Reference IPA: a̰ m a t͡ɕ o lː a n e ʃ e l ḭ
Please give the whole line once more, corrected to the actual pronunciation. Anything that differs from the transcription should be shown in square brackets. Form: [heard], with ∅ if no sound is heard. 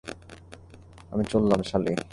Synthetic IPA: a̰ m [i] t͡ɕ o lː a [m] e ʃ [a] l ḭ